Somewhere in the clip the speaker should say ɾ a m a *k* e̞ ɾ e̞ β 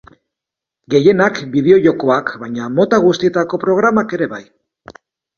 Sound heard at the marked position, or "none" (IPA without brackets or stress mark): k